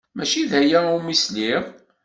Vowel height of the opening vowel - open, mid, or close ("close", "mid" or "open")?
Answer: open